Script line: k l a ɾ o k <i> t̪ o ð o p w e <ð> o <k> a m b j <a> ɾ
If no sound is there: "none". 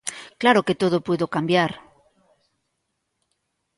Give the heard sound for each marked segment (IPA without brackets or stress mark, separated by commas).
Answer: e, ð, k, a